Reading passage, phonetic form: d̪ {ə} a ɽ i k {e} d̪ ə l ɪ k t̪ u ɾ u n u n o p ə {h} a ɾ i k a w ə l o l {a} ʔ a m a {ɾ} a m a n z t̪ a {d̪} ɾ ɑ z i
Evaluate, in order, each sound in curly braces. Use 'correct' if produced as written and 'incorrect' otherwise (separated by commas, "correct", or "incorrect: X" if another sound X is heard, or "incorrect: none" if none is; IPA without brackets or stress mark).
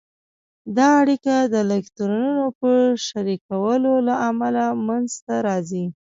incorrect: ɑ, incorrect: a, incorrect: ʃ, correct, incorrect: l, incorrect: none